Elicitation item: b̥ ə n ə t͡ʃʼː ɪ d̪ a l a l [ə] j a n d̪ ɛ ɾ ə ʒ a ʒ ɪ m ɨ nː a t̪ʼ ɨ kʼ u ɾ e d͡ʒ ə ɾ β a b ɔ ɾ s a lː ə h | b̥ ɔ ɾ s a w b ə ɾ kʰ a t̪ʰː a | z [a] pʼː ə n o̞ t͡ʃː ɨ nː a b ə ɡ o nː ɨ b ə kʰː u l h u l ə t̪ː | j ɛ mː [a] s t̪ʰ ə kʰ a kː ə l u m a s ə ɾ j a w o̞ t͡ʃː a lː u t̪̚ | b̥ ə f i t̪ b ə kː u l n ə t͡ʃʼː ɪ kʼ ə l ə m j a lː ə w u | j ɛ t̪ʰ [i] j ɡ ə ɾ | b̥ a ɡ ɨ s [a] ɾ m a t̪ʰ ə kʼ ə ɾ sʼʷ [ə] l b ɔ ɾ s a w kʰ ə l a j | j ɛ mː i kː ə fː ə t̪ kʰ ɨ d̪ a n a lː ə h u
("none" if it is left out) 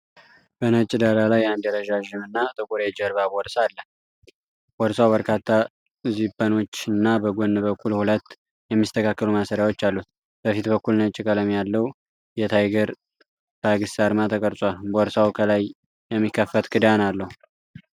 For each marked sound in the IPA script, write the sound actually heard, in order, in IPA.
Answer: a, i, i, a, a, a

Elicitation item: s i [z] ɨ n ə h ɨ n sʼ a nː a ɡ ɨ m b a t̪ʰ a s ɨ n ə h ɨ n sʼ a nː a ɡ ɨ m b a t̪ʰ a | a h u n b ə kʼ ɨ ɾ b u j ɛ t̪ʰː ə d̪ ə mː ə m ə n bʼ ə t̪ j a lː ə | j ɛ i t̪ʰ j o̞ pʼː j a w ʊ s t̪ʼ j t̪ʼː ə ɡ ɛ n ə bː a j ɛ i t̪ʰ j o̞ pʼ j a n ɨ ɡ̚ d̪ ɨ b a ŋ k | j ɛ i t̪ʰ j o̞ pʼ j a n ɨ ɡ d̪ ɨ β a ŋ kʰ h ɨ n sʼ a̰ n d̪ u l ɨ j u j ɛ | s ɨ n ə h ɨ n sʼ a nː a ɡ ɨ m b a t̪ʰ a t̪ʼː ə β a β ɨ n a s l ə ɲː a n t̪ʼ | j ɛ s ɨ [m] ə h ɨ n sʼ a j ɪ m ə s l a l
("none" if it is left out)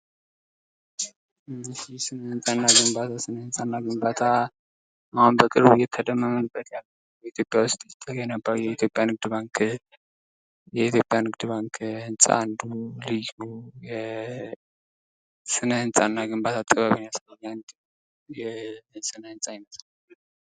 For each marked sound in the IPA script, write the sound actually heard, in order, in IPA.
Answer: s, n

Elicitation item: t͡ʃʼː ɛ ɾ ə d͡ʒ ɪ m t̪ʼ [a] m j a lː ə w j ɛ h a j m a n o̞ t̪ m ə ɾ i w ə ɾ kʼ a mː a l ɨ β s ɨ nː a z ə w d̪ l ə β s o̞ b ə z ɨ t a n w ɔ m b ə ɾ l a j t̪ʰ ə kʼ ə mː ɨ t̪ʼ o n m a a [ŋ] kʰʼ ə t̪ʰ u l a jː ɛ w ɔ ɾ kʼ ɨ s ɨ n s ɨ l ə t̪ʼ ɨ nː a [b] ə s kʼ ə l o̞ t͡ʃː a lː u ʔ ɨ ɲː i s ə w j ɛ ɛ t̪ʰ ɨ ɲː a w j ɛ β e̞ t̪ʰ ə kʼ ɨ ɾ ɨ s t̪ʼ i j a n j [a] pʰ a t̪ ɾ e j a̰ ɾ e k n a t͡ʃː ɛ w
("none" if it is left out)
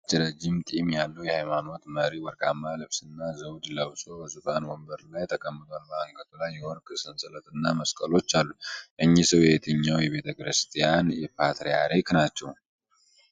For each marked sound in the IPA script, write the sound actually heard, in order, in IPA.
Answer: i, ŋ, m, ɛ

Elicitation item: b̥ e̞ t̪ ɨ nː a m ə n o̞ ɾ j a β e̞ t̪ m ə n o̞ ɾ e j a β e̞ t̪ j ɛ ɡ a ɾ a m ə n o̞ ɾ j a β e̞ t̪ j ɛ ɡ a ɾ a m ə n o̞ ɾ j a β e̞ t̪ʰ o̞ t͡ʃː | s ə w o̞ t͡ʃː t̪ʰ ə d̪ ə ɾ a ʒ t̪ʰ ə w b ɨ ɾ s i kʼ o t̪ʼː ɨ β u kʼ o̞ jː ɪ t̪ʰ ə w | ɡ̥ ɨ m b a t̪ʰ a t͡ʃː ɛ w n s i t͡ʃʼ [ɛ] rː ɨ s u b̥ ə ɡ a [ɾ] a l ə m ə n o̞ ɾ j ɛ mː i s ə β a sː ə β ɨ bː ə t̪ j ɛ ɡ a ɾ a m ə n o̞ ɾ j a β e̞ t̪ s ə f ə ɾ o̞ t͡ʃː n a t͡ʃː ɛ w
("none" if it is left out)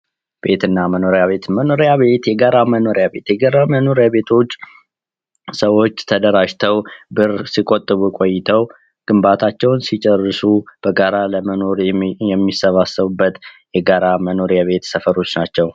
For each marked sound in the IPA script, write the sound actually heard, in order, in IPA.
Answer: ɛ, ɾ

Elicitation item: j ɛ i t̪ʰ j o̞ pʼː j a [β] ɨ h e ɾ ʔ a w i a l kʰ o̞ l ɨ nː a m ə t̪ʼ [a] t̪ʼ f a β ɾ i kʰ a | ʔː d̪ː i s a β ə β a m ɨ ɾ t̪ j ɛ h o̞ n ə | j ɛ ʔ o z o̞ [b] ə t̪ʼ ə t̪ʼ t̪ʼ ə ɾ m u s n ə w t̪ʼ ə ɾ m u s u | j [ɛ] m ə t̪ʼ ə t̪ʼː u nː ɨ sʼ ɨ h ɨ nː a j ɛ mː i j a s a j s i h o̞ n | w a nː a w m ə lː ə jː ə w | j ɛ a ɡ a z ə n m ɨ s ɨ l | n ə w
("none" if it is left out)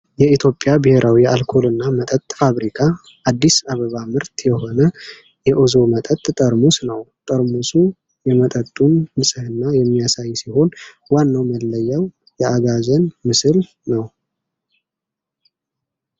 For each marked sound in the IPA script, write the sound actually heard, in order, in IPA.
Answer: b, ə, m, ɛ

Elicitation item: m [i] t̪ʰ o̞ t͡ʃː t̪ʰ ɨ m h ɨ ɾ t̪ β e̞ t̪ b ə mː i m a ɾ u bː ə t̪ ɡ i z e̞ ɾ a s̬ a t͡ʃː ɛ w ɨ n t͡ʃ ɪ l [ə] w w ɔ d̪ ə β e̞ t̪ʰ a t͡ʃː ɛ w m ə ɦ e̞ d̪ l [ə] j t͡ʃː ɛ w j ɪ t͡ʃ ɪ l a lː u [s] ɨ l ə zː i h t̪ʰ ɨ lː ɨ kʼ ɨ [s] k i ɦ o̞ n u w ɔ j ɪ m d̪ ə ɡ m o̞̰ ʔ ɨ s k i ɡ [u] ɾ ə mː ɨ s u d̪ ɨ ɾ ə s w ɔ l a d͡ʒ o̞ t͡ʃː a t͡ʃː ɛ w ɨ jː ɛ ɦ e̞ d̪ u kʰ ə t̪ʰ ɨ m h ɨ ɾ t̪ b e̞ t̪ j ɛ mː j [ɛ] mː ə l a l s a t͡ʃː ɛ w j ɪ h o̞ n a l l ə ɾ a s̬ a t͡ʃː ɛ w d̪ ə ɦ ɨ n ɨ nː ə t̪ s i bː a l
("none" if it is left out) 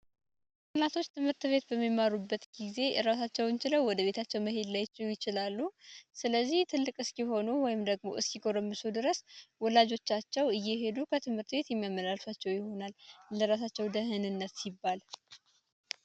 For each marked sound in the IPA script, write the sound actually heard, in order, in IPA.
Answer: a, ə, a, s, s, o, a

